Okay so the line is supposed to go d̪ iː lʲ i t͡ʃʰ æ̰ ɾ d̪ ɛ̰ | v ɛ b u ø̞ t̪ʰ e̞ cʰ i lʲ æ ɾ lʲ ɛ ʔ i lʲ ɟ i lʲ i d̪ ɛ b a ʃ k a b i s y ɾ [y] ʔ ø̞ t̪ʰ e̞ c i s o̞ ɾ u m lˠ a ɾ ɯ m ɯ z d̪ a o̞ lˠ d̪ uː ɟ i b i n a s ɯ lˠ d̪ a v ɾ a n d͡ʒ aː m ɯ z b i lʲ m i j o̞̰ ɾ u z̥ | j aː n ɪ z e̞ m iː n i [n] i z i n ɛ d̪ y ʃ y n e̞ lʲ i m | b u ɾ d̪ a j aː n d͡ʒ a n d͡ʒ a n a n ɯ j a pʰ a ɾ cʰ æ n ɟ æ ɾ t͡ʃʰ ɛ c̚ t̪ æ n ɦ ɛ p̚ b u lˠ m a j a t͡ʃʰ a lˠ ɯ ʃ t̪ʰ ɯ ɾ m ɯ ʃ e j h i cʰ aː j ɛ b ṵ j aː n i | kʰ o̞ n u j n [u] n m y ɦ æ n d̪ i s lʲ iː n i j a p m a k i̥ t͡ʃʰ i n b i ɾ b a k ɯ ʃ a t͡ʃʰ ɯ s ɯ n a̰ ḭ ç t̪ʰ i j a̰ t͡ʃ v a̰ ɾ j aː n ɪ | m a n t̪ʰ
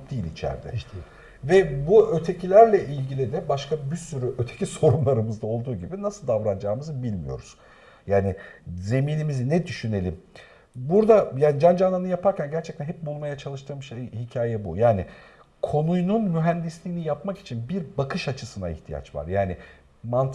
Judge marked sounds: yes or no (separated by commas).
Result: yes, no, yes